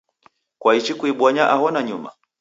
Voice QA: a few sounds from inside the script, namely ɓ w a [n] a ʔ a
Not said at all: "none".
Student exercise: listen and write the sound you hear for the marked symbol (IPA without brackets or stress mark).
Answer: ɲ